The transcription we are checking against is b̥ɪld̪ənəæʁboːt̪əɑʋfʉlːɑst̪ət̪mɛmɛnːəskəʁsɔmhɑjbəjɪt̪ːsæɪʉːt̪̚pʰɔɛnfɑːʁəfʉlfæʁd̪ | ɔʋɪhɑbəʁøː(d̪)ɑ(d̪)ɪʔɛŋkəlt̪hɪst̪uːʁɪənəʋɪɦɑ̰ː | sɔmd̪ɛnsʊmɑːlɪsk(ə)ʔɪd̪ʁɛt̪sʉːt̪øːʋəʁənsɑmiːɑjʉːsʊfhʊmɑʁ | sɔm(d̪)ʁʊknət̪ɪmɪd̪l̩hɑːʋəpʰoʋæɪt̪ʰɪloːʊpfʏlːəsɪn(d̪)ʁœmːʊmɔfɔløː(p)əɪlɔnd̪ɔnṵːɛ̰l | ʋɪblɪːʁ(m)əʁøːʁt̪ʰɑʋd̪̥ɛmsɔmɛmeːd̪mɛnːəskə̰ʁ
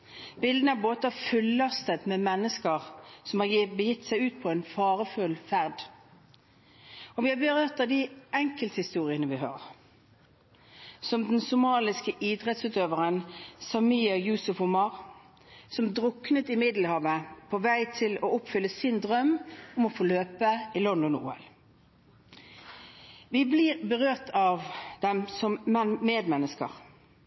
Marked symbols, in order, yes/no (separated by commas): no, yes, yes, yes, yes, yes, no